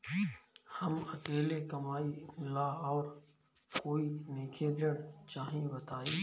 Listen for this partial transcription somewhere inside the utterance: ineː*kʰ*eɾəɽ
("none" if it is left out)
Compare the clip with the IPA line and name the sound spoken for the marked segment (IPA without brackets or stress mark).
kʰ